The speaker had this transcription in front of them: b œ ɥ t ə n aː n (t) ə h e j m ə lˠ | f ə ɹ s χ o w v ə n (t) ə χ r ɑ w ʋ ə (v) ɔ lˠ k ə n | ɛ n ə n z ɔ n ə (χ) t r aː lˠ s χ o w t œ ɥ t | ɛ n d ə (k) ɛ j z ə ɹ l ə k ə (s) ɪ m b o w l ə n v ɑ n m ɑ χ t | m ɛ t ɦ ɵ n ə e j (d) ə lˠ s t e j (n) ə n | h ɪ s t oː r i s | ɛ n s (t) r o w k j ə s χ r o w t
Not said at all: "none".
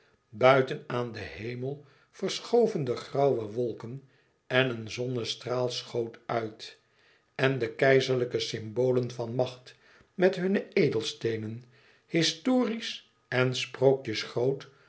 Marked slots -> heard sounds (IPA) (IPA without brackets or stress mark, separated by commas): d, d, ʋ, s, k, s, d, n, p